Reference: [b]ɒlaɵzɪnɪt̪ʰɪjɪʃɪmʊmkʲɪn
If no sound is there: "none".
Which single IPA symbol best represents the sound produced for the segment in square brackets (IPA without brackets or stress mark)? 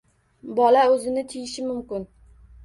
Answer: b